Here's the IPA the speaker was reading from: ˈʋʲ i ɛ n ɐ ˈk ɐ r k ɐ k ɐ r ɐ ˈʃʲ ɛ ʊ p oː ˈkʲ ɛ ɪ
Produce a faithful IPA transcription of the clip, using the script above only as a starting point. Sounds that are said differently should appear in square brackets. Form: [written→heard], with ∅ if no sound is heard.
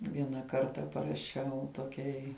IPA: ˈʋʲ i ɛ n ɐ ˈk ɐ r [k→t] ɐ [k→p] ɐ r ɐ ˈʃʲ ɛ ʊ [p→t] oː ˈkʲ ɛ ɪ